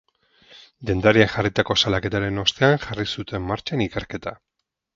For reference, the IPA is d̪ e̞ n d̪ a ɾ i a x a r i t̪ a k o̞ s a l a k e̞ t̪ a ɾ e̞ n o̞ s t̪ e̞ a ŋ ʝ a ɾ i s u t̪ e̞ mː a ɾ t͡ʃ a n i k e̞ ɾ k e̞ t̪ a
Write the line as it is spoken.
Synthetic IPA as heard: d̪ e̞ n d̪ a ɾ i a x a r i t̪ a k o̞ s a l a k e̞ t̪ a ɾ e̞ n o̞ s t̪ e̞ a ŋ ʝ a r i s u t̪ e̞ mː a ɾ t͡ʃ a n i k e̞ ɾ k e̞ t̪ a